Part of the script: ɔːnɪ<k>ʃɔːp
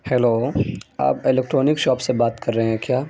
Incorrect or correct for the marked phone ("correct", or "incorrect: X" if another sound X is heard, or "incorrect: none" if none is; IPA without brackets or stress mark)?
correct